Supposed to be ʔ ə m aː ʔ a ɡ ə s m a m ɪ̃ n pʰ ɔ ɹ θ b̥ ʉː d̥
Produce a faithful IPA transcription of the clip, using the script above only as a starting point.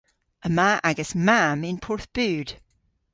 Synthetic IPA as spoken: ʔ ə m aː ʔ a ɡ ə s m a m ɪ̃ n pʰ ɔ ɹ θ b̥ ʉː d̥